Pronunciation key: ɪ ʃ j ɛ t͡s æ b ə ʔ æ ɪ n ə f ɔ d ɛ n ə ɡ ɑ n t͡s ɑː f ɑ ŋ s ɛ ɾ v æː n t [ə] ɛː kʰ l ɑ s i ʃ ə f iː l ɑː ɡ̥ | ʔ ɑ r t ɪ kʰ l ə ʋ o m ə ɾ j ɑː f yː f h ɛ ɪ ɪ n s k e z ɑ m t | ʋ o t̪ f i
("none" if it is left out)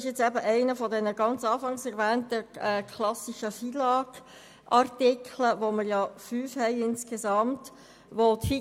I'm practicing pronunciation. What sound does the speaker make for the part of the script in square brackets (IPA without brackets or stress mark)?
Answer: ə